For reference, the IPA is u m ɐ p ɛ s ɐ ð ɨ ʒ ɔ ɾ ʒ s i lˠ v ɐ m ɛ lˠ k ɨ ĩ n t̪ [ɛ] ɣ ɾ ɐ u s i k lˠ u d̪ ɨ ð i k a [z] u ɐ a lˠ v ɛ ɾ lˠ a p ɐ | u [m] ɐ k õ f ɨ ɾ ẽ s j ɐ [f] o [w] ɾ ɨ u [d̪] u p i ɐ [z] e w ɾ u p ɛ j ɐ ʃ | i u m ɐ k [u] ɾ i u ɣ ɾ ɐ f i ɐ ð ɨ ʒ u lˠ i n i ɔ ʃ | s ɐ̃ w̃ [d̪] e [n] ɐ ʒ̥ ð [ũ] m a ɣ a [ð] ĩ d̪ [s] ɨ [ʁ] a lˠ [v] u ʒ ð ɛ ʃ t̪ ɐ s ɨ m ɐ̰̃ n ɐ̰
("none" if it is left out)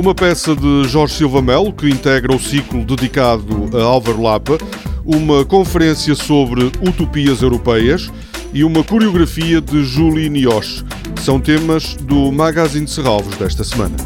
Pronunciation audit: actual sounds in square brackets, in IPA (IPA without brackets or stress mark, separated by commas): ɛ, ð, m, s, β, t̪, z, u, t̪, m, u, z, s, ʁ, v